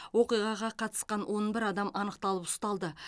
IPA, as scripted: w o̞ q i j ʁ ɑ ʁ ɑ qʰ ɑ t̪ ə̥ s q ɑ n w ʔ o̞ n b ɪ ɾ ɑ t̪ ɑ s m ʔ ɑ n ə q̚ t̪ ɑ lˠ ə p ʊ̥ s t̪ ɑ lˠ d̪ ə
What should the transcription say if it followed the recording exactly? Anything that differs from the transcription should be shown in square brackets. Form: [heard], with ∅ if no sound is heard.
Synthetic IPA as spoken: w o̞ q i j ʁ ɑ ʁ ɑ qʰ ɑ t̪ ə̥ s q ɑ n w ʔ o̞ n b ɪ ɾ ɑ [d̪] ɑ [∅] m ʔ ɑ n ə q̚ t̪ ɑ lˠ ə p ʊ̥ s t̪ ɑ lˠ d̪ ə

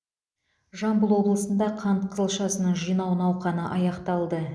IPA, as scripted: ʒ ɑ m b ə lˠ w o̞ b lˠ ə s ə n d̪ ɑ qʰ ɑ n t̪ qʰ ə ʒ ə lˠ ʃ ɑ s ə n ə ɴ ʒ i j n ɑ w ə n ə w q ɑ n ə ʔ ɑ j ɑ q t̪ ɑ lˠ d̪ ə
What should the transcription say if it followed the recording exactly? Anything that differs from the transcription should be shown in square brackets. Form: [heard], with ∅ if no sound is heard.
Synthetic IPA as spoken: ʒ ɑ m b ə lˠ w o̞ b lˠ ə s ə n d̪ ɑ qʰ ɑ n t̪ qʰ ə [z] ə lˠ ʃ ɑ s ə n ə ɴ ʒ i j n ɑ w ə n [ɑ] w q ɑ n ə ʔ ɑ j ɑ q t̪ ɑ lˠ d̪ ə

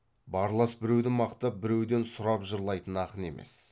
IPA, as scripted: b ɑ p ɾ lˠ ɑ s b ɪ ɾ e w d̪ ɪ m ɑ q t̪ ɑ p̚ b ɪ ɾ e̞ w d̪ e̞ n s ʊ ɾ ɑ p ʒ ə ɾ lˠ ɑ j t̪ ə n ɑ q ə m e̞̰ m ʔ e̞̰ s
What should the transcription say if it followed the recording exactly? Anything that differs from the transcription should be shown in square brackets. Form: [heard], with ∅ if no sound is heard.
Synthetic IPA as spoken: b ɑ [∅] ɾ lˠ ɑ s b ɪ ɾ e w d̪ ɪ m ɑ q t̪ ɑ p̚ b ɪ ɾ e̞ w d̪ e̞ n s ʊ ɾ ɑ p ʒ ə ɾ lˠ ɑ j t̪ ə n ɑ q ə [n] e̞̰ m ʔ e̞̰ s

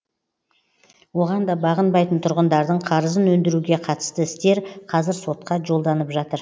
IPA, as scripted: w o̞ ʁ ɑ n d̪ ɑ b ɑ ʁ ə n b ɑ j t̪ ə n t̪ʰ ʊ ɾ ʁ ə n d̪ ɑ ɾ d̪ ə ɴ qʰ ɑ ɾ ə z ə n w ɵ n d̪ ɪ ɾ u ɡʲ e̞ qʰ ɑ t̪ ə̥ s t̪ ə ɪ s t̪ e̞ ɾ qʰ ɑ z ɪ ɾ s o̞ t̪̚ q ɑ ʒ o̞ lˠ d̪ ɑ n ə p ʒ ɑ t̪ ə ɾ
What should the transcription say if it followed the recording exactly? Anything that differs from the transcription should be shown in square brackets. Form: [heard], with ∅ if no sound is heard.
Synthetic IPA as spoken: w o̞ ʁ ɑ n d̪ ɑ b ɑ ʁ ə n b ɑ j t̪ ə n t̪ʰ ʊ ɾ ʁ ə n d̪ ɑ ɾ d̪ ə ɴ qʰ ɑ ɾ ə z ə n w ɵ n d̪ ɪ ɾ u ɡʲ e̞ qʰ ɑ t̪ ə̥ s t̪ ə ɪ s t̪ e̞ ɾ qʰ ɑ z ɪ ɾ s o̞ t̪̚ q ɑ ʒ o̞ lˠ d̪ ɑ n ə p ʒ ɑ t̪ ə ɾ

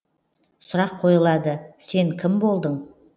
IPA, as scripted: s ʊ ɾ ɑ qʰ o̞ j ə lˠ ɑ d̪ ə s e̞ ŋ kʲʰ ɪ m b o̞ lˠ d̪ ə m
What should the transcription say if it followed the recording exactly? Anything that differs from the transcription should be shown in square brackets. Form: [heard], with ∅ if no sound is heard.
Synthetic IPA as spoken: s ʊ ɾ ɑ qʰ o̞ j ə lˠ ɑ d̪ ə s e̞ ŋ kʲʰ ɪ m b o̞ lˠ d̪ ə [ɴ]

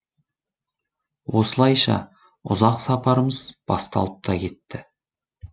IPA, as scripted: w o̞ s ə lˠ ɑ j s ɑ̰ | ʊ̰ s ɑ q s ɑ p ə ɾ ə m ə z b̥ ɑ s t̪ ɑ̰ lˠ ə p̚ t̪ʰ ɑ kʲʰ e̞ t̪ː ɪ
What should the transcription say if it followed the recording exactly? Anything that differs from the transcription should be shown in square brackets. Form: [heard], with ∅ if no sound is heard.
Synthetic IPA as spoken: w o̞ s ə lˠ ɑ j [ʃ] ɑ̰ | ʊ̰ [z] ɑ q s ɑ p [ɑ] ɾ ə m ə z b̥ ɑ s t̪ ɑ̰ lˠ ə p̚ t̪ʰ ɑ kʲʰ e̞ t̪ː ɪ

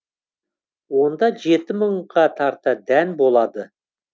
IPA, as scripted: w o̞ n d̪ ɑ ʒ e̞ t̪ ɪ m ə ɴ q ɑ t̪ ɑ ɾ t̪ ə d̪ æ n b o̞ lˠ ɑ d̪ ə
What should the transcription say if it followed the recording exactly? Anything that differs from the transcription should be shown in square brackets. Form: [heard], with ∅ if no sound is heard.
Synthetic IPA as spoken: w o̞ n d̪ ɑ ʒ e̞ t̪ ɪ m ə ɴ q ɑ [t̪ʰ] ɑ ɾ t̪ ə d̪ æ n b o̞ lˠ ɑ d̪ ə

